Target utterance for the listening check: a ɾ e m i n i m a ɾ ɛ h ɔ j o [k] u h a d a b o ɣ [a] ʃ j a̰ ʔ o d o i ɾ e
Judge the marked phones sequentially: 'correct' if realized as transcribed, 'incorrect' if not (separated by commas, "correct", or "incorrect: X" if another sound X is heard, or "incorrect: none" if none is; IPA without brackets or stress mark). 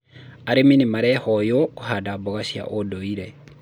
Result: correct, correct